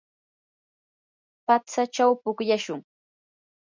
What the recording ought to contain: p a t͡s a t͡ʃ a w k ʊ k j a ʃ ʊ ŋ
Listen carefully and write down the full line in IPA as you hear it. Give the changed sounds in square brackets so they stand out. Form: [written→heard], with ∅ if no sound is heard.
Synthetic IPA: p a t͡s a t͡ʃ a w [k→p] ʊ k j a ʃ ʊ ŋ